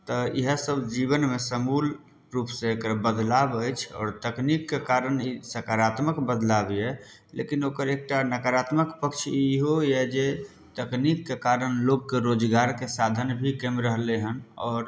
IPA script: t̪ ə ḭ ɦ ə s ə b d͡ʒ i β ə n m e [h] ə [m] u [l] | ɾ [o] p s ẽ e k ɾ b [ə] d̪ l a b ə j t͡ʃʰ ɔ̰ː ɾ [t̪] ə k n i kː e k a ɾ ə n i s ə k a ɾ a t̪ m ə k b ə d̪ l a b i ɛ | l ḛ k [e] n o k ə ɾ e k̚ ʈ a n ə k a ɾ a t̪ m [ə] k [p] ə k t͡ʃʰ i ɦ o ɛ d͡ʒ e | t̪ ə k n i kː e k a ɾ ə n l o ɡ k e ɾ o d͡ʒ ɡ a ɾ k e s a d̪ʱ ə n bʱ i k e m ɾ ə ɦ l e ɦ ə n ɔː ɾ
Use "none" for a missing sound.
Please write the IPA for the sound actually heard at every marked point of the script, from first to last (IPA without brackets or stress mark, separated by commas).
s, m, l, u, ə, t̪, i, ə, p